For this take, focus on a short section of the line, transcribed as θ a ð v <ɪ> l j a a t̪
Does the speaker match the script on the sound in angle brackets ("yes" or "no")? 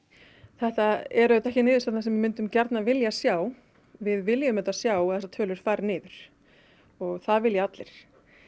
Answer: yes